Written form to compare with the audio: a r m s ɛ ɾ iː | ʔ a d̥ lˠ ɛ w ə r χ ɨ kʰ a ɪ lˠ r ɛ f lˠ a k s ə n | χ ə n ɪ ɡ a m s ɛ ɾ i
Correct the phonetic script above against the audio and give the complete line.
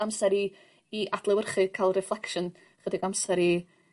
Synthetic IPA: a m s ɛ ɾ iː | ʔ a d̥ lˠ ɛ w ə r χ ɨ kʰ a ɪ lˠ r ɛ f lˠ ɛ k ʃ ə n | χ ə d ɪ ɡ a m s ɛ ɾ i